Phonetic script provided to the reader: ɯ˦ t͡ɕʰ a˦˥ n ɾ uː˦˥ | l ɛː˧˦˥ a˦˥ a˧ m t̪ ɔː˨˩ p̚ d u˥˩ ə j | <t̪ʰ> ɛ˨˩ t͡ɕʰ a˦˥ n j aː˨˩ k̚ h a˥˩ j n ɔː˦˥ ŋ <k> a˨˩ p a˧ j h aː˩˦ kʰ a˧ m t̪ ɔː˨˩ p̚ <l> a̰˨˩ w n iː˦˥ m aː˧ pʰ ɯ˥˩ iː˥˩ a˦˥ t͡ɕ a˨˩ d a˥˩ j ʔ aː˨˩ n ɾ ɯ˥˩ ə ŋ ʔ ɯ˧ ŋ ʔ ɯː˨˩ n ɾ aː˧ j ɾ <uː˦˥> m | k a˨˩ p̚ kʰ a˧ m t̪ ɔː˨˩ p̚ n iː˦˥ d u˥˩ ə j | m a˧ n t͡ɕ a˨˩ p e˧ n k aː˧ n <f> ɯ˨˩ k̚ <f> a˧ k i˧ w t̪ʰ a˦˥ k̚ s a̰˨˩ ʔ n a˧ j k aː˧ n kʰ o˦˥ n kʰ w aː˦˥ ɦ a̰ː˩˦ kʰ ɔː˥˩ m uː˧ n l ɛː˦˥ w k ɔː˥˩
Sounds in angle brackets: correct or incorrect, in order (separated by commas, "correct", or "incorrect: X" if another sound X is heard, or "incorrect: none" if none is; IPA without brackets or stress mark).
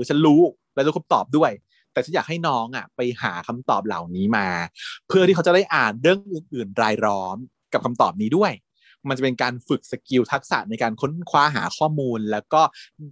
incorrect: t̪, incorrect: ʔ, correct, incorrect: ɔː˦˥, correct, incorrect: s